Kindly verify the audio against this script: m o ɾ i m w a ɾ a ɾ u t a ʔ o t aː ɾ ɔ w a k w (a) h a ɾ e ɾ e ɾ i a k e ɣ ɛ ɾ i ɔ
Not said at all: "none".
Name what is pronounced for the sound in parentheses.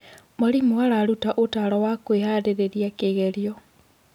e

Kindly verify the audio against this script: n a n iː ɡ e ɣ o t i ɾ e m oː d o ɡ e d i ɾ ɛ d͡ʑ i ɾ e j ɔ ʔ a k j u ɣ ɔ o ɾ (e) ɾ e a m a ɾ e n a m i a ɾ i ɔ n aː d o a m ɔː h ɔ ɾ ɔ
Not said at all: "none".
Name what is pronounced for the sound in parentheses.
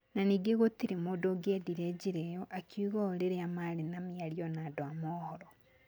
e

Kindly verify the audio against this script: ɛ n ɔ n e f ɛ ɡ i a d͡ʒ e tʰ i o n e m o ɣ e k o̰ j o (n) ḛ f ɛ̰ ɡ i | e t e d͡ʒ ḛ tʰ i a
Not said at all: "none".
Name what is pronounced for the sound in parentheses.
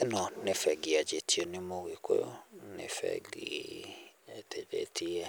n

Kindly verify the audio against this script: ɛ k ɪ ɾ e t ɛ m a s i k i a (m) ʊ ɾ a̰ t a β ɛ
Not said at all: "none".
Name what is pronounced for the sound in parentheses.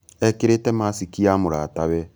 m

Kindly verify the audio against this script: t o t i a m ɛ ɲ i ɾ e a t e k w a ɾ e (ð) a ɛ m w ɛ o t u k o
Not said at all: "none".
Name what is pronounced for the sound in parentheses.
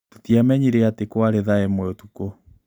ð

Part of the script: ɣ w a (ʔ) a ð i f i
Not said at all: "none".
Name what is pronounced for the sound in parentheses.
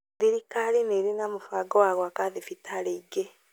k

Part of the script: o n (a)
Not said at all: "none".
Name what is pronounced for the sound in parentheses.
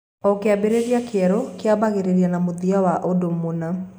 a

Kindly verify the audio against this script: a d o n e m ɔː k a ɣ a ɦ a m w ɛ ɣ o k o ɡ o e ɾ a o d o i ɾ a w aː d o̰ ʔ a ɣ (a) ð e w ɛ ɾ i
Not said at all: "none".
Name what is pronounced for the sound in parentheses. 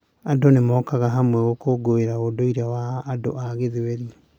e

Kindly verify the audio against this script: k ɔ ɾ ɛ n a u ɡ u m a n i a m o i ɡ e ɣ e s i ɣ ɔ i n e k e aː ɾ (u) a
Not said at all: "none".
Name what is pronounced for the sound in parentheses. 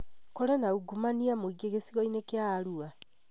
u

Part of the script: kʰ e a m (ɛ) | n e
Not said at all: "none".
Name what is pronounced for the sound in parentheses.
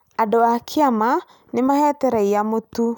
a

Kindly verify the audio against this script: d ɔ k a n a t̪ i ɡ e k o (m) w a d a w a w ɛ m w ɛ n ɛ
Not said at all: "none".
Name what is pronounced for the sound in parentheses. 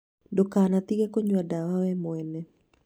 ɲ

